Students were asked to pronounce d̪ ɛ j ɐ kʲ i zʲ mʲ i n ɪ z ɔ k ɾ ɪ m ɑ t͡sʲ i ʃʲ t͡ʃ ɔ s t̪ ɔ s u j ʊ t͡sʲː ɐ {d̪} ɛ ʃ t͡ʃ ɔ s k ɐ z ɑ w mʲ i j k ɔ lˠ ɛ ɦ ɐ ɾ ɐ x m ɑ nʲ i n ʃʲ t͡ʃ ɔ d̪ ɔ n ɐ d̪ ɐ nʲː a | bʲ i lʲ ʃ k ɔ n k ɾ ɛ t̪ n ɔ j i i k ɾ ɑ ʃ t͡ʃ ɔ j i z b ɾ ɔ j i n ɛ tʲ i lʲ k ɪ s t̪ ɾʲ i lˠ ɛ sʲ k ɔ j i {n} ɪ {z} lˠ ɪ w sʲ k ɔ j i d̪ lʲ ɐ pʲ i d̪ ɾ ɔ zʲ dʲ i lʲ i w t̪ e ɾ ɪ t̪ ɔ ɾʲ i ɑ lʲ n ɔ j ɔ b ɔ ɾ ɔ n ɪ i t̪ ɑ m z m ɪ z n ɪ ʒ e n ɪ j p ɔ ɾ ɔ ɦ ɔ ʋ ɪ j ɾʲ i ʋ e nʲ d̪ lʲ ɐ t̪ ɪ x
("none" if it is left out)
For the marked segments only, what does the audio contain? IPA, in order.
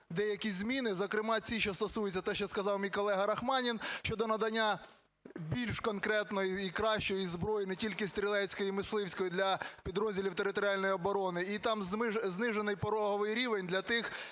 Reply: t̪, m, s

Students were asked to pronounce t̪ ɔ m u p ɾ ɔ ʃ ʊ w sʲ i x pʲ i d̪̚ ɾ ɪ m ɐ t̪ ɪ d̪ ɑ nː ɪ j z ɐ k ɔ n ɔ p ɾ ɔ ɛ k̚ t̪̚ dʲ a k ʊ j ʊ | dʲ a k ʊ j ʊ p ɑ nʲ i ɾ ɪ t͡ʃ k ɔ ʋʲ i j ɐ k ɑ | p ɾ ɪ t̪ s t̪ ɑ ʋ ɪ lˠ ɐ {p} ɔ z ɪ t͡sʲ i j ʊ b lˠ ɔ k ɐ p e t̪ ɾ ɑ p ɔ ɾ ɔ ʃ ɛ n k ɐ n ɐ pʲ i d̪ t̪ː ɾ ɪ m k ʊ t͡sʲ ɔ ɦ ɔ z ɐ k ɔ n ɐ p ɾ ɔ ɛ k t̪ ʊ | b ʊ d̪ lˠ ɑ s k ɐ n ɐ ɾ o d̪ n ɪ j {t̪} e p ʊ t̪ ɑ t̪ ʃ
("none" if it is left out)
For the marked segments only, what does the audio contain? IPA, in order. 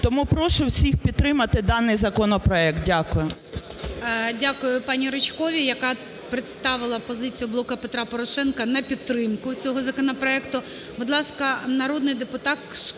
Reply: p, d̪

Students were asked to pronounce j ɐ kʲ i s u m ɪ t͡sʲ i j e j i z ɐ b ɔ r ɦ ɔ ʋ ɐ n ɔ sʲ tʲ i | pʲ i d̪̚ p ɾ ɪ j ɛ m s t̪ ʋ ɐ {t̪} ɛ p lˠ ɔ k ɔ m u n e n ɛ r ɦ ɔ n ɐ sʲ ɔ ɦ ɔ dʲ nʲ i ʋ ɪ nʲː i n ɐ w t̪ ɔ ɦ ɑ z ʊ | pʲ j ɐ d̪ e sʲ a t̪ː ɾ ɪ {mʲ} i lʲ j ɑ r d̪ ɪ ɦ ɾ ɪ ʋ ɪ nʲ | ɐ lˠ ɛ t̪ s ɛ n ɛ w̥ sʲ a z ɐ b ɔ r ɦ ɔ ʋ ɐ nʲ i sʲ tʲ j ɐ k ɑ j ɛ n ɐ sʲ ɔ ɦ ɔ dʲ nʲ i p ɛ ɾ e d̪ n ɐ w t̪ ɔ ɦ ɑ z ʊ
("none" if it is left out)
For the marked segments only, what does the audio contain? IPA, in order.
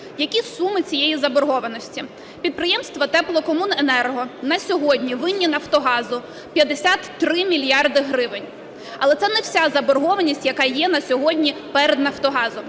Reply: t̪, mʲ

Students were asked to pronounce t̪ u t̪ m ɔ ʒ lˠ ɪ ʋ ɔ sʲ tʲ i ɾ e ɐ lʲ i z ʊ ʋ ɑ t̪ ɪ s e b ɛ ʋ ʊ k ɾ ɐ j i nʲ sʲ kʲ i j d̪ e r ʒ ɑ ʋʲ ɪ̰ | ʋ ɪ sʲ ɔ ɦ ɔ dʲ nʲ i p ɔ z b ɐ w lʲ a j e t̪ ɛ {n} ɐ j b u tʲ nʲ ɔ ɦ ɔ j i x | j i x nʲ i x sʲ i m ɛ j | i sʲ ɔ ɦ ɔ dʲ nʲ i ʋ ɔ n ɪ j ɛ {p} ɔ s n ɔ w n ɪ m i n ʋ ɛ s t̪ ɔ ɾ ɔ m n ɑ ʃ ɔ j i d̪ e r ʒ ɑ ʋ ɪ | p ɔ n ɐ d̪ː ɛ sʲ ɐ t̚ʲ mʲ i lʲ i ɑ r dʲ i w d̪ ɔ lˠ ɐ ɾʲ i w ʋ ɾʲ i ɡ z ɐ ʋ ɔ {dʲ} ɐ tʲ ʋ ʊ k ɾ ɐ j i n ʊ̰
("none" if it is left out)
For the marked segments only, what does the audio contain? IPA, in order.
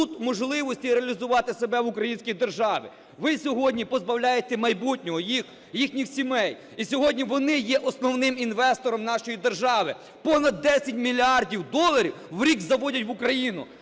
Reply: m, ʔ, dʲ

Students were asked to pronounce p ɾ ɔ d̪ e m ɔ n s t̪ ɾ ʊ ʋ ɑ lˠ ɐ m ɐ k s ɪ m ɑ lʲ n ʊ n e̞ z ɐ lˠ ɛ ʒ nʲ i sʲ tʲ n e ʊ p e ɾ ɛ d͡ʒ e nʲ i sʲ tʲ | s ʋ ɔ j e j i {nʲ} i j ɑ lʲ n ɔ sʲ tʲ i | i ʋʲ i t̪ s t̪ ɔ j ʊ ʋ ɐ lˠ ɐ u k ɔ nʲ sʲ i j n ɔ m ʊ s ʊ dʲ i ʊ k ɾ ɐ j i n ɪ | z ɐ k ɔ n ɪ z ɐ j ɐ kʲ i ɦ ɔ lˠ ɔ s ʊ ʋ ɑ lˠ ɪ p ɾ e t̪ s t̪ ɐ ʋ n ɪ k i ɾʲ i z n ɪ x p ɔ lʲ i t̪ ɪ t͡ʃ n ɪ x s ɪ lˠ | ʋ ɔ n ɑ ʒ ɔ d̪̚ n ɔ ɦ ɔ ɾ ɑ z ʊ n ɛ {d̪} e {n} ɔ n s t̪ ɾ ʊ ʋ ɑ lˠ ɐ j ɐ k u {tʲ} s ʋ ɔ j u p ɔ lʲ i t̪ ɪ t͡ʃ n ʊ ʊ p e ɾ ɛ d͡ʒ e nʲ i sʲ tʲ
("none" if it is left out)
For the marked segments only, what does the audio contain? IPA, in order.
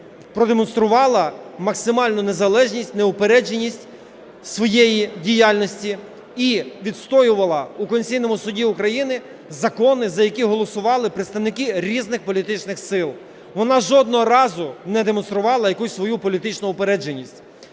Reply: dʲ, d̪, m, sʲ

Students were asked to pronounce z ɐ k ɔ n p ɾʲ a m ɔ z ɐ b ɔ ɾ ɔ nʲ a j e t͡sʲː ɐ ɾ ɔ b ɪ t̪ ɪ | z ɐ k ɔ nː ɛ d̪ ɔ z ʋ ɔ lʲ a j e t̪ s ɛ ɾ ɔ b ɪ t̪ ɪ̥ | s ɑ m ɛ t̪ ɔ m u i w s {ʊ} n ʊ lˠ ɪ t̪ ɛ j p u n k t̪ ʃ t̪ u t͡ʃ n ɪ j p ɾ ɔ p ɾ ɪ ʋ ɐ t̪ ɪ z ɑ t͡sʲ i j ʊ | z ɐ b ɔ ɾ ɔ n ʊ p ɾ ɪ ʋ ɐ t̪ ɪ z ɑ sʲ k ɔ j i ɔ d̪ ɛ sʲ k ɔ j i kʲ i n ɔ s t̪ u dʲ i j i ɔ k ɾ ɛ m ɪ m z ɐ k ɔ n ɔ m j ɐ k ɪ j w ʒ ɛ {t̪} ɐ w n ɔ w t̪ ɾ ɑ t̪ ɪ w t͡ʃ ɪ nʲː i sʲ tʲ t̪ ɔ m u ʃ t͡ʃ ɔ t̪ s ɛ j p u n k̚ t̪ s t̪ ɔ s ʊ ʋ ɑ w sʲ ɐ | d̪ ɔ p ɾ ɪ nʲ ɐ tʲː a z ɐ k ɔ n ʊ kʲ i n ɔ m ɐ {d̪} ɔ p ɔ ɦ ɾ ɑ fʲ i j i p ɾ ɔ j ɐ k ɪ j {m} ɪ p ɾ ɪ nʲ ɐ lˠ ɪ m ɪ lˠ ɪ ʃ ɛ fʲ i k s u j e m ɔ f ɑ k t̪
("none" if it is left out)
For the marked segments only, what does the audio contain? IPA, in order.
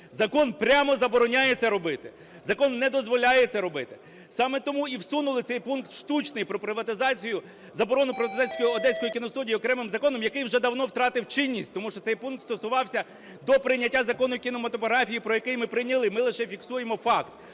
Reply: u, d̪, t̪, m

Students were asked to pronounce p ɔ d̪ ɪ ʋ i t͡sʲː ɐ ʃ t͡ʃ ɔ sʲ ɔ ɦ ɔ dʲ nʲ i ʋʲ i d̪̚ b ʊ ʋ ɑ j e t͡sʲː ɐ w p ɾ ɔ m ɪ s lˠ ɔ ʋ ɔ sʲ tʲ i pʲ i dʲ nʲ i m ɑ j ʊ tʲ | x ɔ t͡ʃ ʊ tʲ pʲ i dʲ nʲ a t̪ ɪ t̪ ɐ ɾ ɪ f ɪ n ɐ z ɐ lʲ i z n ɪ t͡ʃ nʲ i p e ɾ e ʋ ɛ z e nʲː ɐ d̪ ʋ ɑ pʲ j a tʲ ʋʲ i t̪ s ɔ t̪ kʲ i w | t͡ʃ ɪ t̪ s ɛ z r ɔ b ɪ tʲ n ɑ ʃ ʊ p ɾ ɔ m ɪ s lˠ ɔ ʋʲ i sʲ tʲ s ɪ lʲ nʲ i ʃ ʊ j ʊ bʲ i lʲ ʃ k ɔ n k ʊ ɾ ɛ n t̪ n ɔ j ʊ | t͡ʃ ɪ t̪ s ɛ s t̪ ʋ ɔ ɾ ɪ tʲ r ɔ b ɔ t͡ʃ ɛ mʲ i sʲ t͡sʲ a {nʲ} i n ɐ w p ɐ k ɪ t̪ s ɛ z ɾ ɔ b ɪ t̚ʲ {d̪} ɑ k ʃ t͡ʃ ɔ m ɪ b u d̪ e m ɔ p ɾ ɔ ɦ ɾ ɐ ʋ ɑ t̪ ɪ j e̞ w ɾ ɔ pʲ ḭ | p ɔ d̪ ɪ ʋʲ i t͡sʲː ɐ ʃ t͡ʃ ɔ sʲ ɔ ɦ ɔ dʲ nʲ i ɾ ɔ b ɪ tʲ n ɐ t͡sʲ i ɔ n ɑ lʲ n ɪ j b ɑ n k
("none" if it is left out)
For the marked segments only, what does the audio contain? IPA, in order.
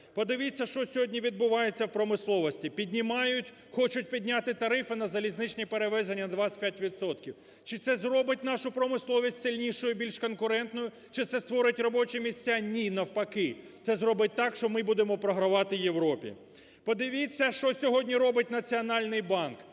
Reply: nʲ, t̪

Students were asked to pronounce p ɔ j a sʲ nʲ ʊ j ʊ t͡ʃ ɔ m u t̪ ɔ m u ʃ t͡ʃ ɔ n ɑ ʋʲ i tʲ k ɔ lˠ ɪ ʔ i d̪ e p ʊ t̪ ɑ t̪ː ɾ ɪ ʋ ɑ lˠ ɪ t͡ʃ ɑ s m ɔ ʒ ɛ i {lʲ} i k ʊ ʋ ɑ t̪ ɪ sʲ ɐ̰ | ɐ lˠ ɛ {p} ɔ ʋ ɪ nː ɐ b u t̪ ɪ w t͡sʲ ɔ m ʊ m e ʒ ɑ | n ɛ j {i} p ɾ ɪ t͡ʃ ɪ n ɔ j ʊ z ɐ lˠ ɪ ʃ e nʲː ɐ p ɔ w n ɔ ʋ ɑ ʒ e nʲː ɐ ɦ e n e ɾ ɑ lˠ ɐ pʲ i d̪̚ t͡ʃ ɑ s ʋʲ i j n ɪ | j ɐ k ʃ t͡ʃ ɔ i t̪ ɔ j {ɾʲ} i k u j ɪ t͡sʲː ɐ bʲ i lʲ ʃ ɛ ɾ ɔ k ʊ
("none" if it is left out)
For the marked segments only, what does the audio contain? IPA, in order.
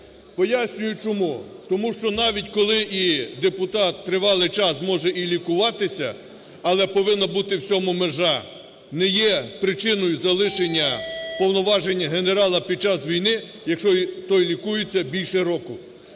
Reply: lʲ, p, ɛ, lʲ

